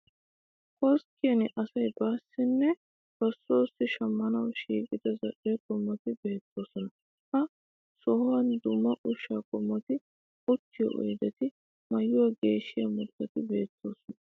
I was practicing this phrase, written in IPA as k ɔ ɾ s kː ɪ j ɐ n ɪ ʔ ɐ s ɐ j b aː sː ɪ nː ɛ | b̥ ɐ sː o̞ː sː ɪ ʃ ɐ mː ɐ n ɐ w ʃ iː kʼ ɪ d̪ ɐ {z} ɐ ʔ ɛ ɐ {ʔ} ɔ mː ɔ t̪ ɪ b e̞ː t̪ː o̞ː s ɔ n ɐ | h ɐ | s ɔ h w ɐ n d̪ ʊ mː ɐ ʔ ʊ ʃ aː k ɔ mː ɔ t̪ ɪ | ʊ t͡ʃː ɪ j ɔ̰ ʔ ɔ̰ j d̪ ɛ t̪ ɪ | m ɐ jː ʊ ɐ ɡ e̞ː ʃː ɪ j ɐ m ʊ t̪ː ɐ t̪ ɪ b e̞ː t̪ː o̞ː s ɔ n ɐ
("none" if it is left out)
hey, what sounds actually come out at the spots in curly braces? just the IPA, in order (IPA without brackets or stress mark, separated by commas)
z, k